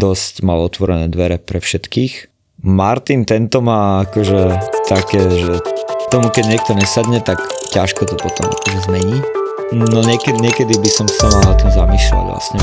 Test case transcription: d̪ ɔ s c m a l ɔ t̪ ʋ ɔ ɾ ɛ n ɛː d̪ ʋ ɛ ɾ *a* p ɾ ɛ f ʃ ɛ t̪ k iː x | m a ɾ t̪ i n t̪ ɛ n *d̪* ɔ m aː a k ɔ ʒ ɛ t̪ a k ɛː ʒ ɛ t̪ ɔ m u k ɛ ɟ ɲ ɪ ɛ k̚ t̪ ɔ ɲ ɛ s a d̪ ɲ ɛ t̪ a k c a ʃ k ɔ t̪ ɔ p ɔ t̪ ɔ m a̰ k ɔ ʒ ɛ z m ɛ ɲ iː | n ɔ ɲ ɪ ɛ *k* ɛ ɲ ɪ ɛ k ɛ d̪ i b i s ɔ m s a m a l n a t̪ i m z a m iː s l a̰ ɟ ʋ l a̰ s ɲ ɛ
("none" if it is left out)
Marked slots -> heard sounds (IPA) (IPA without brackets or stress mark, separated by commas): ɛ, t̪, k